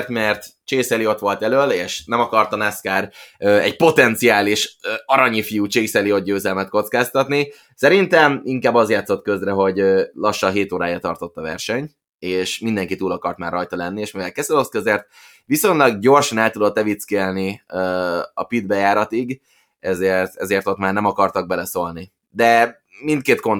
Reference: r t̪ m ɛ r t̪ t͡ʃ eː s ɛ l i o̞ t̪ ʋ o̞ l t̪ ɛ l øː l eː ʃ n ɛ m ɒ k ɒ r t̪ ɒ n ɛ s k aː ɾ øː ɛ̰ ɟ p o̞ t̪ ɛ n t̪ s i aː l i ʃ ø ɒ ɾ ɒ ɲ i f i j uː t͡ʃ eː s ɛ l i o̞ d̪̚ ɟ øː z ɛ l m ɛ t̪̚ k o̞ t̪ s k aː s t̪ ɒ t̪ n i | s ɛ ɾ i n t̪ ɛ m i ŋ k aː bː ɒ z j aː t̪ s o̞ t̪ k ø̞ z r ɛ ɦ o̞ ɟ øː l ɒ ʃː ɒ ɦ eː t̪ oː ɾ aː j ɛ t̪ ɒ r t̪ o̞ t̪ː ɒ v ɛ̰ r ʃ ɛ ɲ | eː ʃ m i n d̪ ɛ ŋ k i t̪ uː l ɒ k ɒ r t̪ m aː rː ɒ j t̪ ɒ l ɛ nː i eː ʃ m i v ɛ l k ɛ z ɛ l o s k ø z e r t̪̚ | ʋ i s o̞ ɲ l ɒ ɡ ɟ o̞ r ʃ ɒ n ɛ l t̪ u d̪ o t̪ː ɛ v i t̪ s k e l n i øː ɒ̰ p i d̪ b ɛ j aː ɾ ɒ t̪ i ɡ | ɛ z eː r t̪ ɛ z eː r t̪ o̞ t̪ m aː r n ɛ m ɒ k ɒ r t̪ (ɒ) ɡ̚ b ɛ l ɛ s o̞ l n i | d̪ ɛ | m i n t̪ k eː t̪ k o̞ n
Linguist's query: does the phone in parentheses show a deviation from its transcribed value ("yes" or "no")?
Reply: no